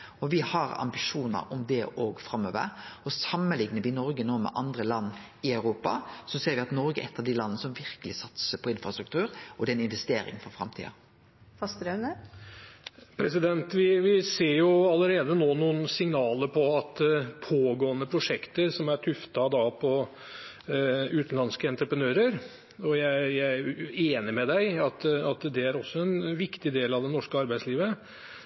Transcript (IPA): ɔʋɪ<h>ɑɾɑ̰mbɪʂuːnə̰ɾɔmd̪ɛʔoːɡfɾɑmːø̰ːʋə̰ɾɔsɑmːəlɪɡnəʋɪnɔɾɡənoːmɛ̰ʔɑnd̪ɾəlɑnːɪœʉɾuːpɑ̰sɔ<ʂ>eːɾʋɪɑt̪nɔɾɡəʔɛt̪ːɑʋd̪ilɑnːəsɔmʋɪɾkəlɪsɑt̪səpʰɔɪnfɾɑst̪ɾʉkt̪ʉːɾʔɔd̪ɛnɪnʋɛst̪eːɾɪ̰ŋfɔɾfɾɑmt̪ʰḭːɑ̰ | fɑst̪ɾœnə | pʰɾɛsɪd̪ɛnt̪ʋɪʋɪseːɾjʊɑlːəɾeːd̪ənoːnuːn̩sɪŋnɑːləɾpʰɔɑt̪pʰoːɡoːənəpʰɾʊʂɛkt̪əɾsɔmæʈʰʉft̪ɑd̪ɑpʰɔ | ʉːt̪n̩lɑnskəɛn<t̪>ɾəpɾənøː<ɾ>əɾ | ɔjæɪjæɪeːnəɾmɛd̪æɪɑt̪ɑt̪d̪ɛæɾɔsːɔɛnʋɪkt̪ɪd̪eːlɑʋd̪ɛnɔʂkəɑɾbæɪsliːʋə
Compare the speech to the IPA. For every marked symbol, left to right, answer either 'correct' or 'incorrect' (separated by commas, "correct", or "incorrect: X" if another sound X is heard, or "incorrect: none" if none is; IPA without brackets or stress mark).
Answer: correct, incorrect: s, correct, correct